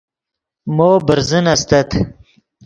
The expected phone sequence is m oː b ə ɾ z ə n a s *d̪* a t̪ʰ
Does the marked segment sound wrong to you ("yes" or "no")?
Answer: yes